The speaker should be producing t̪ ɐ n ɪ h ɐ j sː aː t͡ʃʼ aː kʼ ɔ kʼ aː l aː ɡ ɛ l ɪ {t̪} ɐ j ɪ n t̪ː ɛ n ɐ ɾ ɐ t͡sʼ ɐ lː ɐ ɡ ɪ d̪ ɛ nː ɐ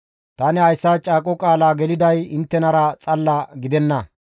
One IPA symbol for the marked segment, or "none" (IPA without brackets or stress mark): d̪